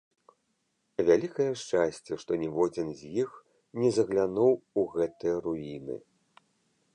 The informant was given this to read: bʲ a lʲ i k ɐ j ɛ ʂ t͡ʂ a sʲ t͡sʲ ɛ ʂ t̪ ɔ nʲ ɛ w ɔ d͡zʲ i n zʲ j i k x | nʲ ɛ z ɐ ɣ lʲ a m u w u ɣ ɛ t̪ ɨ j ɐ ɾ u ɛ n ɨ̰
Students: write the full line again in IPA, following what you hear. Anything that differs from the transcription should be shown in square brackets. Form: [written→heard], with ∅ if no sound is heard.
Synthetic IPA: [bʲ→vʲ] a lʲ i k ɐ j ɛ ʂ t͡ʂ a sʲ t͡sʲ ɛ ʂ t̪ ɔ nʲ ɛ [w→v] ɔ d͡zʲ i n zʲ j i [k→∅] x | nʲ ɛ z ɐ ɣ lʲ a [m→n] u w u ɣ ɛ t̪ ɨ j ɐ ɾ u [ɛ→i] n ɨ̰

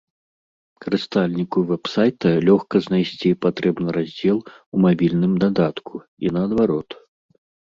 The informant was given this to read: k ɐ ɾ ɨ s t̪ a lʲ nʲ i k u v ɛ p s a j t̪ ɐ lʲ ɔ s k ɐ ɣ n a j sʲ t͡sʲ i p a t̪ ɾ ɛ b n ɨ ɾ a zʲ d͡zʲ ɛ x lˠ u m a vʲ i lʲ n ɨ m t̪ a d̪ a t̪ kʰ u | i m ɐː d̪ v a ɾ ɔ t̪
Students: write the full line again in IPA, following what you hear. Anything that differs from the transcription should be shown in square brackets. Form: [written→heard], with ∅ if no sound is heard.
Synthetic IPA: k ɐ ɾ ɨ s t̪ a lʲ nʲ i k u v ɛ p s a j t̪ ɐ lʲ ɔ [s→x] k ɐ [ɣ→z] n a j sʲ t͡sʲ i p a t̪ ɾ ɛ b n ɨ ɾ a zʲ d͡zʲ ɛ [x→∅] lˠ u m a [vʲ→bʲ] i lʲ n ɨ m [t̪→d̪] a d̪ a t̪ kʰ u | i [m→n] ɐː d̪ v a ɾ ɔ t̪

